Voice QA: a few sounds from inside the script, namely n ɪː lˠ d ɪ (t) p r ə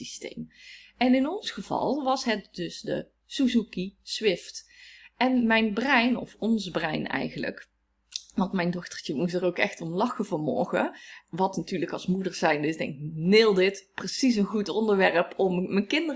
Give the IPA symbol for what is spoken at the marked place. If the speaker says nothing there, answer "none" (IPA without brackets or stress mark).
t